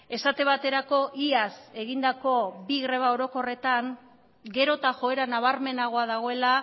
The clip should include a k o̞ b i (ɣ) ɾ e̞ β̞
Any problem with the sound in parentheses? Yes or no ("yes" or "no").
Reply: no